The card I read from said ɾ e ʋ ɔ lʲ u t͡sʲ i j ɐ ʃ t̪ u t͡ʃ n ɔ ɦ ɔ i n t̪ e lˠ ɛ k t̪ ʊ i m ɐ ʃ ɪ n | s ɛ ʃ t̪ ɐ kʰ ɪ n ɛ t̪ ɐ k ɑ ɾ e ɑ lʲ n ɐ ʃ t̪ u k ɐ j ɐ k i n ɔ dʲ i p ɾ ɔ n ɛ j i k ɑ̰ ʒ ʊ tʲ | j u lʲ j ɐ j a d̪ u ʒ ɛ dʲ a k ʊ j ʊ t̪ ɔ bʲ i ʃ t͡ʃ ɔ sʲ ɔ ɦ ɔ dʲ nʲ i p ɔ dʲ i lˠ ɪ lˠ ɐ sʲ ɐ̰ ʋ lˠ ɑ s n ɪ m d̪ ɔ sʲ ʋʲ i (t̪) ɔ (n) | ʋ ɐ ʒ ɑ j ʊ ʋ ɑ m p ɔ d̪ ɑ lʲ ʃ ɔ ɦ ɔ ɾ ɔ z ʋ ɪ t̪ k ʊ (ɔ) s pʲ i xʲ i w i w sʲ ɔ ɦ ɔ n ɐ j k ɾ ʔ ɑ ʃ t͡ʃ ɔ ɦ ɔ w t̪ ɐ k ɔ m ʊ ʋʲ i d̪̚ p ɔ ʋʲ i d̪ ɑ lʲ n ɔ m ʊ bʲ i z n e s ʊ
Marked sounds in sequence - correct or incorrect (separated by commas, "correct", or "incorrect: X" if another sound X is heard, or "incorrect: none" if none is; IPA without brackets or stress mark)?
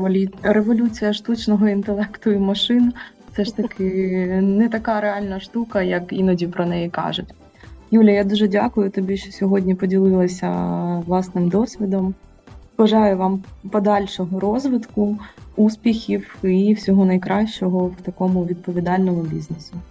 incorrect: d̪, incorrect: m, incorrect: u